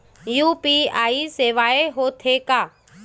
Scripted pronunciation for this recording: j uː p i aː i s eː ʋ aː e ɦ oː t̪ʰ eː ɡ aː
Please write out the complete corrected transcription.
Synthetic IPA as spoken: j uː p i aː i s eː ʋ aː e ɦ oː t̪ʰ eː k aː